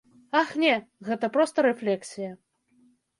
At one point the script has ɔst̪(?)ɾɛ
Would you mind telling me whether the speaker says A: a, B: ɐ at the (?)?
B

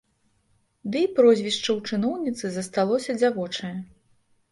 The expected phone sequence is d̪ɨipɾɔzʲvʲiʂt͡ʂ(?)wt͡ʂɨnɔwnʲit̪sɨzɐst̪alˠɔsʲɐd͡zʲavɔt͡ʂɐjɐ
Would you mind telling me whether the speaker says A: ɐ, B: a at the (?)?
A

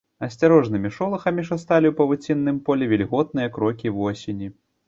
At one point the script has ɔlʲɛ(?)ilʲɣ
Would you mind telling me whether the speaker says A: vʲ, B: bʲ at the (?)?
A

